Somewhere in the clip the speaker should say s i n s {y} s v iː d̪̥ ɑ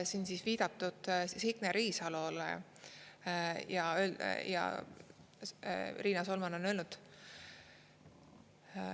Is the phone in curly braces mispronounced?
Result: yes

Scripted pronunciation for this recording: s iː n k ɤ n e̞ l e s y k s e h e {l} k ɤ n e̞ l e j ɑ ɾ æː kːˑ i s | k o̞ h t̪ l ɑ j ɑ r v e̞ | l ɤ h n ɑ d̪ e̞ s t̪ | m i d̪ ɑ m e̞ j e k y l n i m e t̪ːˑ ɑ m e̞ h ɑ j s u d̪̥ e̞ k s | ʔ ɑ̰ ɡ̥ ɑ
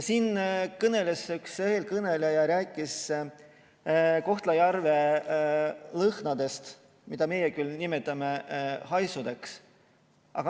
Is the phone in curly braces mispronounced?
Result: no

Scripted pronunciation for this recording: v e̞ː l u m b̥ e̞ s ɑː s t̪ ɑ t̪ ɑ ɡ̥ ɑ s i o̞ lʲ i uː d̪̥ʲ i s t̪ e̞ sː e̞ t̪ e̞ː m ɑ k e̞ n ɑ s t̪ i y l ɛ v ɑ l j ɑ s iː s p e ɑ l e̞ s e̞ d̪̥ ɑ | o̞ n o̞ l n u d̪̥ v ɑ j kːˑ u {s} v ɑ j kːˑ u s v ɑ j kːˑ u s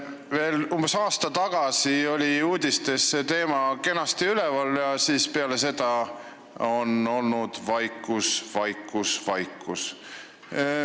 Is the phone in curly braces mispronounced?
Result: no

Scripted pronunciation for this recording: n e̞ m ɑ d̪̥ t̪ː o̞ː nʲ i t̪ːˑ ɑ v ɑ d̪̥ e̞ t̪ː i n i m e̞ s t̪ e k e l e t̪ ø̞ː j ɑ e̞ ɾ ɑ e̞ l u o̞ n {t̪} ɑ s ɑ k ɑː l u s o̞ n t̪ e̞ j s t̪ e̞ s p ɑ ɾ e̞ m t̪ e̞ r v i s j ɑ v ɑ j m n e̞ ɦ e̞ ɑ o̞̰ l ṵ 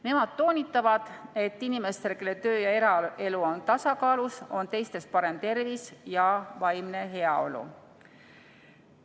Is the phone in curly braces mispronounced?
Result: no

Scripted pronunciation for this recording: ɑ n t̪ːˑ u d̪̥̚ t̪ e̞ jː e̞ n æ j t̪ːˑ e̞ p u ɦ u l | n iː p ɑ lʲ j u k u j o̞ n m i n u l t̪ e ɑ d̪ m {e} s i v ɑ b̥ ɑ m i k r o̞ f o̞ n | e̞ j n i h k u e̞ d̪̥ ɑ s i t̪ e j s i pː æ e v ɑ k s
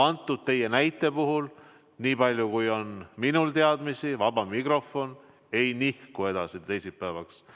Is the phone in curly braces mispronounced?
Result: yes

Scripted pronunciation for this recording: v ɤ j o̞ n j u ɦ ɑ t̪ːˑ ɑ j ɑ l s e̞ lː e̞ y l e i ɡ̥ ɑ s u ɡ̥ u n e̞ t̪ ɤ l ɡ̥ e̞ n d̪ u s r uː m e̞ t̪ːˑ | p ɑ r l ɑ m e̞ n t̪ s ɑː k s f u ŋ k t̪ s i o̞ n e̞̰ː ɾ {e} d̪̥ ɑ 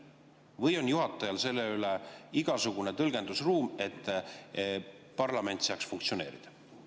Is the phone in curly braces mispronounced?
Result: yes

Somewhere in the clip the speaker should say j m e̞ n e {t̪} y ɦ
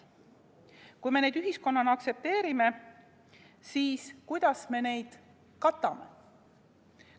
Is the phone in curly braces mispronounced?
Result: yes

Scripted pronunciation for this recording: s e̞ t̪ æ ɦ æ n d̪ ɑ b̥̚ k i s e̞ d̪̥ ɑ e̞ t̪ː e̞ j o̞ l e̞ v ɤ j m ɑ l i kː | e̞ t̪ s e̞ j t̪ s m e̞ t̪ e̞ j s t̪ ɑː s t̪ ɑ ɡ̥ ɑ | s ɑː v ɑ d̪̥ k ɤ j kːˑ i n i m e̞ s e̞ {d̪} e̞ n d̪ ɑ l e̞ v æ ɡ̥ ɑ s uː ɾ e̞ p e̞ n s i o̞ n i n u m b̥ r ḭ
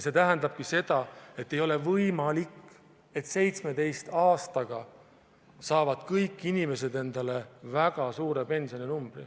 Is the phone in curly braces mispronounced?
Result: no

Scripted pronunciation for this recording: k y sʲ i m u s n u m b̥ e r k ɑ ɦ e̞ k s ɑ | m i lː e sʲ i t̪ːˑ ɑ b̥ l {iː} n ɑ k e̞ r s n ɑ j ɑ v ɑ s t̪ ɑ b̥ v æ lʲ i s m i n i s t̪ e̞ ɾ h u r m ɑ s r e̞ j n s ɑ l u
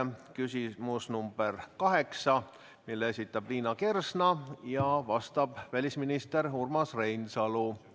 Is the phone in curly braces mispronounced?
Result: no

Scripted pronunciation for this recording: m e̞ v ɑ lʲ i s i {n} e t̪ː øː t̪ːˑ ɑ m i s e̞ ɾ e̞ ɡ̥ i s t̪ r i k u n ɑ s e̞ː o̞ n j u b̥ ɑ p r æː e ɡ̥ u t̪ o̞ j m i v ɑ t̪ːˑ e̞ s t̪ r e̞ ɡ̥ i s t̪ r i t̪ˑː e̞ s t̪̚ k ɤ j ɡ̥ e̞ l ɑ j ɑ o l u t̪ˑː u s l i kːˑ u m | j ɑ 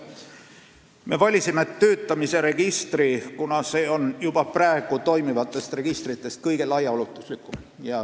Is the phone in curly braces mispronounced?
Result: yes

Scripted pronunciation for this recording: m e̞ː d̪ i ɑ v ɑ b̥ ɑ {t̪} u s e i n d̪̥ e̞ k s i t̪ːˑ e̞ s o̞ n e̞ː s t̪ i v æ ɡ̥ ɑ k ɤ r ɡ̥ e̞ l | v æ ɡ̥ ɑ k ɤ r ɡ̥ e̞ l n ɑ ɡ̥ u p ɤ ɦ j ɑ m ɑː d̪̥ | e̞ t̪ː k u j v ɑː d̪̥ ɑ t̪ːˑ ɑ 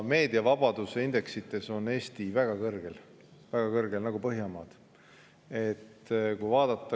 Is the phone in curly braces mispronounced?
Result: yes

